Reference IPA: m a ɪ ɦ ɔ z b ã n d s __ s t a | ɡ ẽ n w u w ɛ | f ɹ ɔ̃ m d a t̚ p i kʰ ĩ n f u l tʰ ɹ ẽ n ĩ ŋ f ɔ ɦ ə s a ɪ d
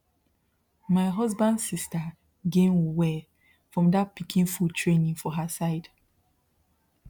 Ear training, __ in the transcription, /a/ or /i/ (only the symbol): i